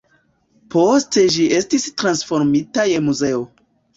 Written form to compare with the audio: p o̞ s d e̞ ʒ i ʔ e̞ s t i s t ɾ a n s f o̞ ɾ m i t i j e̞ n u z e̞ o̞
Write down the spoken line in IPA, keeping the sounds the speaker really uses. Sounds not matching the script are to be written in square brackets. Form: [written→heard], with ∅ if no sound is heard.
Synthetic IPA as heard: p o̞ s [d→t] e̞ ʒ i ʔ e̞ s t i s t ɾ a n s f o̞ ɾ m i t [i→a] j e̞ [n→m] u z e̞ o̞